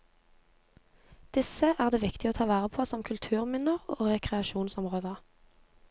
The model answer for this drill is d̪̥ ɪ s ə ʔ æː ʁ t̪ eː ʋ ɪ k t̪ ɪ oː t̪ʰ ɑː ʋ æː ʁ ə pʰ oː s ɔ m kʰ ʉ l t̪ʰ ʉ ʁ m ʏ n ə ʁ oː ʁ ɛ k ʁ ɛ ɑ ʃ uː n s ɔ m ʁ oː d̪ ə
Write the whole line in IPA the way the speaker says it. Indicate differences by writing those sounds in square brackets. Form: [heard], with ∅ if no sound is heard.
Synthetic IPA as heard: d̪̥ ɪ s ə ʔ æː ʁ [d̪] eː ʋ ɪ k t̪ ɪ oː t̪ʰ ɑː ʋ æː ʁ ə pʰ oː s ɔ m kʰ ʉ l t̪ʰ [ʉː] ʁ m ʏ n ə ʁ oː ʁ ɛ k ʁ ɛ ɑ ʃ uː n s ɔ m ʁ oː d̪ ə